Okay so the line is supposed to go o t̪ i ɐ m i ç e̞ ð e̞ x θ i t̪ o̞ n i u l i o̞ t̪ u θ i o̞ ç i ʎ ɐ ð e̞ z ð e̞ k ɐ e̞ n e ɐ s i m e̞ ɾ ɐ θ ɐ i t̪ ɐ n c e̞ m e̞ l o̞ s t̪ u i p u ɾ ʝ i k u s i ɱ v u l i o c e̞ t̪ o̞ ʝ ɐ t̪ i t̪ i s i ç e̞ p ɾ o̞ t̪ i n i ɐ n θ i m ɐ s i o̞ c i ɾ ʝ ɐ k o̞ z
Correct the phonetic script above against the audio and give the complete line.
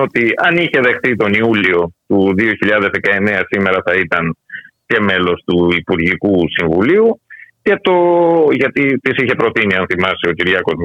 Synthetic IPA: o t̪ i ɐ n i ç e̞ ð e̞ x θ i t̪ o̞ n i u l i o̞ t̪ u ð i o̞ ç i ʎ ɐ ð e̞ z ð e̞ k ɐ e̞ n e ɐ s i m e̞ ɾ ɐ θ ɐ i t̪ ɐ n c e̞ m e̞ l o̞ s t̪ u i p u ɾ ʝ i k u s i ɱ v u l i u c e̞ t̪ o̞ ʝ ɐ t̪ i t̪ i s i ç e̞ p ɾ o̞ t̪ i n i ɐ n θ i m ɐ s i o̞ c i ɾ ʝ ɐ k o̞ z